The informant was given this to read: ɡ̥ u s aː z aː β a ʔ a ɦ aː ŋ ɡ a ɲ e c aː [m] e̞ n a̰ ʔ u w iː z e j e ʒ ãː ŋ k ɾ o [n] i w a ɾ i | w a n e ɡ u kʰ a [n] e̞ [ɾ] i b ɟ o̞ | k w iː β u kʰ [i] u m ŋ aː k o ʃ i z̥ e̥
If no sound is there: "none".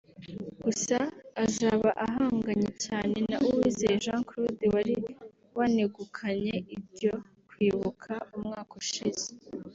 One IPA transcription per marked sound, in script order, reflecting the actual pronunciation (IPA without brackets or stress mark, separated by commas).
n, d, ɲ, none, a